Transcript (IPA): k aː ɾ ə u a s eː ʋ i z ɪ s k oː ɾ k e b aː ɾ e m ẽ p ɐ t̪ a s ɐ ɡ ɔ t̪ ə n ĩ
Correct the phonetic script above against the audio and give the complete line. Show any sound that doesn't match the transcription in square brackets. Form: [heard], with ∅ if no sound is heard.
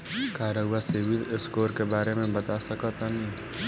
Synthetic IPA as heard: k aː ɾ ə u a s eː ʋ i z ɪ s k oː ɾ k e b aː ɾ e m ẽ [b] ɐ t̪ a s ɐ [k] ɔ t̪ [a] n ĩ